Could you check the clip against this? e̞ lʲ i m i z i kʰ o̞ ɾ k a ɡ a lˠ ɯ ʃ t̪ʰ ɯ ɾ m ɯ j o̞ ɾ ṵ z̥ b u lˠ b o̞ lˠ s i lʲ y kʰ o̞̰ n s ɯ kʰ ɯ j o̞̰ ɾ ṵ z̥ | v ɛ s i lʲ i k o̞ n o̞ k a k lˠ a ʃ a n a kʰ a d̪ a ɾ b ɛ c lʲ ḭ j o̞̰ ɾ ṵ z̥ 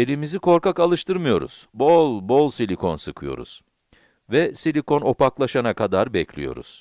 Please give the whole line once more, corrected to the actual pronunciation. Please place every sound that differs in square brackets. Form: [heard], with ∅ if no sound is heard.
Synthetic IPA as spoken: e̞ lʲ i m i z i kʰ o̞ ɾ k a [k] a lˠ ɯ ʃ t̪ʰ ɯ ɾ m ɯ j o̞ ɾ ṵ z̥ b [o] lˠ b o̞ lˠ s i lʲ [i] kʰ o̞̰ n s ɯ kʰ ɯ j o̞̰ ɾ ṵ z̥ | v ɛ s i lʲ i k o̞ n o̞ [p] a k lˠ a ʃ a n a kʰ a d̪ a ɾ b ɛ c lʲ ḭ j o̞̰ ɾ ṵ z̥